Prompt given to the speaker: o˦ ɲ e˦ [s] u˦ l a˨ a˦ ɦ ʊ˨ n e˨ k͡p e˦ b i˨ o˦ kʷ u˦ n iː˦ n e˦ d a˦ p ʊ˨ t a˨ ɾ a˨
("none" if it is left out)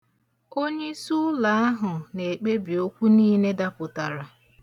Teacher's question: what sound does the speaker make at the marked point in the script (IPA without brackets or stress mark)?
s